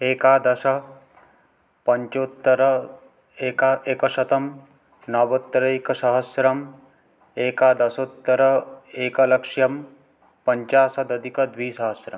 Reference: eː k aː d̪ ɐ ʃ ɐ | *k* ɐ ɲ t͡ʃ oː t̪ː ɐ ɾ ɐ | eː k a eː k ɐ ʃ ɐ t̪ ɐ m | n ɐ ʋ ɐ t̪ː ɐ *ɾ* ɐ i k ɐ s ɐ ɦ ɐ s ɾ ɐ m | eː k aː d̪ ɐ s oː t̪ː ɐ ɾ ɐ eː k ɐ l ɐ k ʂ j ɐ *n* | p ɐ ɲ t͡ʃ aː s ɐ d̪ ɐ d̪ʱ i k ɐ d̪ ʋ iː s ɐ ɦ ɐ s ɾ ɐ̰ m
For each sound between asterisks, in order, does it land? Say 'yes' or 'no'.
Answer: no, yes, no

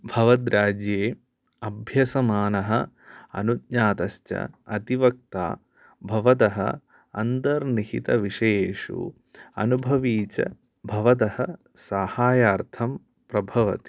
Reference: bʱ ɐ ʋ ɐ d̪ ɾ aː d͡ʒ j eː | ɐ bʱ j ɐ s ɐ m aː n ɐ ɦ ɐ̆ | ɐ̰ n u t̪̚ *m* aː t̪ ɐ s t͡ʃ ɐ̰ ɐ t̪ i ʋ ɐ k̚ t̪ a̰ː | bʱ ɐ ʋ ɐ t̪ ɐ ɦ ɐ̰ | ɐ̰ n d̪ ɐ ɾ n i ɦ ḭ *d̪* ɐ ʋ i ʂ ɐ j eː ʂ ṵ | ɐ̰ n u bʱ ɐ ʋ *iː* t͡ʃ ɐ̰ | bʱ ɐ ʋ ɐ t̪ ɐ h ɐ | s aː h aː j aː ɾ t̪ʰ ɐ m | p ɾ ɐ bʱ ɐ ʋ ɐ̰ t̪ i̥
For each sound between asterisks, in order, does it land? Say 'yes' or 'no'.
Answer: no, no, yes

